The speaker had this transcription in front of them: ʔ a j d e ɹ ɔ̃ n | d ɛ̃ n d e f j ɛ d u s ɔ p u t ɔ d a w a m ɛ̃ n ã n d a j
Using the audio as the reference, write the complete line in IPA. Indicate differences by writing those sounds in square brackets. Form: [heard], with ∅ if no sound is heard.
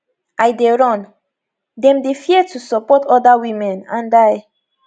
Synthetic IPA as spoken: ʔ a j d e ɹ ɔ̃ n | d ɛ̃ [m] d e f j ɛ [t] u s ɔ p [ɔ] t ɔ d a w [i] m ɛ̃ n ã n d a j